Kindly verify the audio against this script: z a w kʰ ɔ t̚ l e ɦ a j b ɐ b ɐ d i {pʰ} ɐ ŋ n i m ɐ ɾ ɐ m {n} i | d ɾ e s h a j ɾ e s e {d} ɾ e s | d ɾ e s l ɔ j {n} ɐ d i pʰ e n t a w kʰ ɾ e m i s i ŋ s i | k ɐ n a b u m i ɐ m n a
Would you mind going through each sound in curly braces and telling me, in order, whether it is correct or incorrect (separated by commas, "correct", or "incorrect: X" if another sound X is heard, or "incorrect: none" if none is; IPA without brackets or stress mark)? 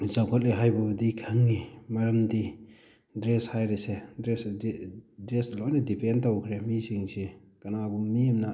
incorrect: kʰ, incorrect: d, correct, correct